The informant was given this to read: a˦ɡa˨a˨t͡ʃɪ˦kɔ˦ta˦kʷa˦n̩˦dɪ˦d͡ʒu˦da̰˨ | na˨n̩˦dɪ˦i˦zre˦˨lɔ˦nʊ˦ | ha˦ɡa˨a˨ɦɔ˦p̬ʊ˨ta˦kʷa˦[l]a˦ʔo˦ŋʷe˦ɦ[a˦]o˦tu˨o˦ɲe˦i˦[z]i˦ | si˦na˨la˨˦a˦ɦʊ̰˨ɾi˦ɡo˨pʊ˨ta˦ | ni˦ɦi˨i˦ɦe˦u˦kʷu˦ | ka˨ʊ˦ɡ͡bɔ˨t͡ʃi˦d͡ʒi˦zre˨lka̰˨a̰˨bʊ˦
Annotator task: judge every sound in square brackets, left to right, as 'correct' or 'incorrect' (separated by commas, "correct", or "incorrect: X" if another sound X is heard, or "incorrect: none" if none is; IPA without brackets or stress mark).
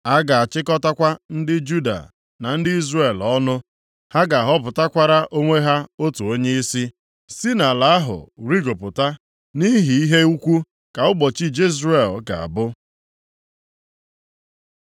incorrect: ɾ, correct, incorrect: s